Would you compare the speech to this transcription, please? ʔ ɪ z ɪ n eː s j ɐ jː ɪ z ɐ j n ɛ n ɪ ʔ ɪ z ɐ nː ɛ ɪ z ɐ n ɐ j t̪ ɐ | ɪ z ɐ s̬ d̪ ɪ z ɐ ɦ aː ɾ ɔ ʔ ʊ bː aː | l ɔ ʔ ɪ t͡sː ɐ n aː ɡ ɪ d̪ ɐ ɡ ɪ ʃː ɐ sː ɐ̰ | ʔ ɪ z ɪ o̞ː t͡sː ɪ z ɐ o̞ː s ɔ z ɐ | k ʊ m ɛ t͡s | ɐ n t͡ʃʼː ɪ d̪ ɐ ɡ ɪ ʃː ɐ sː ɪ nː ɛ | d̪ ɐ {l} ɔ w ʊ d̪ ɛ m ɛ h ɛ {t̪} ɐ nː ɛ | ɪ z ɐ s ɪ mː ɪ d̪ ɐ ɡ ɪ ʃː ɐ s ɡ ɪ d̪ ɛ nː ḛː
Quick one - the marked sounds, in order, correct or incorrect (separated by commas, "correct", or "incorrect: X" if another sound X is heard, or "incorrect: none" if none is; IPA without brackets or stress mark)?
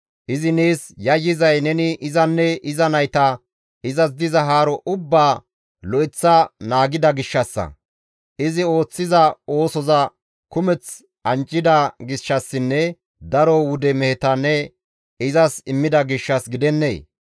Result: incorrect: ɾ, correct